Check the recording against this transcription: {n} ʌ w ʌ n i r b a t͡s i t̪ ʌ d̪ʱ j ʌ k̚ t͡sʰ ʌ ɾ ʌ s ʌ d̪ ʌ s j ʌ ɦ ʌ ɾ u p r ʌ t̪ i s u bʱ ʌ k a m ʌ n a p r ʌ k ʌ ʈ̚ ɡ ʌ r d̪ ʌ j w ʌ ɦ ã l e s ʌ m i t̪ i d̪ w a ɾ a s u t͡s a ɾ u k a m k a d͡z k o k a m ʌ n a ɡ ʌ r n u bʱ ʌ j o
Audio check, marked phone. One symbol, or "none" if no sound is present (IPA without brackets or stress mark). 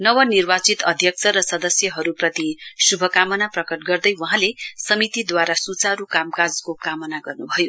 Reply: n